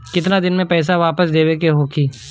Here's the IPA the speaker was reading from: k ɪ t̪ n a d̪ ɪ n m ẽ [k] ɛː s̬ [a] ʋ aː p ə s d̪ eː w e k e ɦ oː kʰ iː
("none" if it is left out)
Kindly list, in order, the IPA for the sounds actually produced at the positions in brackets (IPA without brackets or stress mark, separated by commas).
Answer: p, a